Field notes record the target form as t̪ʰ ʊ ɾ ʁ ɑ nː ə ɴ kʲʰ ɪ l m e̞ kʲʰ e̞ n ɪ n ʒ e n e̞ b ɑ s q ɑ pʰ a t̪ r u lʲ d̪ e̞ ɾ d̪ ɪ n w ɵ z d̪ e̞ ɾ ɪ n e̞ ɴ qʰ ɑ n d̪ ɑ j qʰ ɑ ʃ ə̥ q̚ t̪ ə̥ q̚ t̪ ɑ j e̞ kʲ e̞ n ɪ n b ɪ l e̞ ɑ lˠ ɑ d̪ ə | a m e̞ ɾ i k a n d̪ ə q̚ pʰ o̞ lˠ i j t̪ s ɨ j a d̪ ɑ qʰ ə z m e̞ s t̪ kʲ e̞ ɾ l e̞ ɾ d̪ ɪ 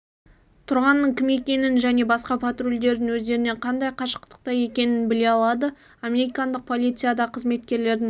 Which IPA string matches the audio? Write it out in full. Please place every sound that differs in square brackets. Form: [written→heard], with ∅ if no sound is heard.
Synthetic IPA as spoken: t̪ʰ ʊ ɾ ʁ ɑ nː ə ɴ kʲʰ ɪ [l→∅] m e̞ [kʲʰ→kʲ] e̞ n ɪ n ʒ [e→æ] n e̞ b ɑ s q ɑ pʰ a t̪ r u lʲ d̪ e̞ ɾ d̪ ɪ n w ɵ z d̪ e̞ ɾ ɪ n e̞ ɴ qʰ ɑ n d̪ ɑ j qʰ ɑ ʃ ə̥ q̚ t̪ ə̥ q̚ t̪ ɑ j e̞ kʲ e̞ n ɪ n b ɪ l e̞ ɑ lˠ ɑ d̪ ə | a m e̞ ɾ i k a n d̪ ə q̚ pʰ o̞ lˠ i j t̪ s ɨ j a d̪ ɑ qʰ ə z m e̞ [s→∅] t̪ kʲ e̞ ɾ l e̞ ɾ d̪ ɪ